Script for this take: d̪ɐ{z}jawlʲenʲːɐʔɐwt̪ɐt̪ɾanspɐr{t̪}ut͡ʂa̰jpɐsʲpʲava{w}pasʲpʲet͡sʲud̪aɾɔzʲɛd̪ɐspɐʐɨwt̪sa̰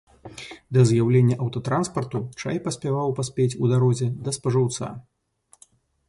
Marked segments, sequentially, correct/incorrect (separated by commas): correct, correct, correct